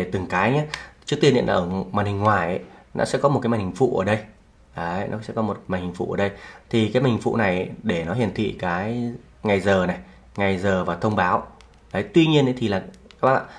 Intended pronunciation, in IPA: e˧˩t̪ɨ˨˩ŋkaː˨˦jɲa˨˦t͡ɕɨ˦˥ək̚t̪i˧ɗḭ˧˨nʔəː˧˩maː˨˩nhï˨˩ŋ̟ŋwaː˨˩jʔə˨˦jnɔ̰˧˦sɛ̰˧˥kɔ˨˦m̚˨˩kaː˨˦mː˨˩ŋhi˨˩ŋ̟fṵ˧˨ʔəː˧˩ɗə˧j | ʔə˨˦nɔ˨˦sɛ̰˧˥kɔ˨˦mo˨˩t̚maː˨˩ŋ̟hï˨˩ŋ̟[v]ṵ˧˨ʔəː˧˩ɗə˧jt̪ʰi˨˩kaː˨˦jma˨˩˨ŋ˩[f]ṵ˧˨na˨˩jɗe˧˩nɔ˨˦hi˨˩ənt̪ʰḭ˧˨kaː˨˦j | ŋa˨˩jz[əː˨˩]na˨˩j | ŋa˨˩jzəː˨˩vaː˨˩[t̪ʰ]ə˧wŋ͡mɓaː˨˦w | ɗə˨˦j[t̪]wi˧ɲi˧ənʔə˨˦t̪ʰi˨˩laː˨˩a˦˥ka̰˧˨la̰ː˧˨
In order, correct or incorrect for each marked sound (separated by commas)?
incorrect, correct, correct, correct, correct